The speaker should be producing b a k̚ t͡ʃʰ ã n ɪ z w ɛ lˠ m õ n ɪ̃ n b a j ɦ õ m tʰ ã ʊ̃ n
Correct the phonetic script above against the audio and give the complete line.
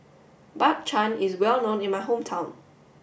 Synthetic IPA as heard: b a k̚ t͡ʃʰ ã n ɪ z w ɛ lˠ n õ n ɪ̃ n m a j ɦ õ m tʰ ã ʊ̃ n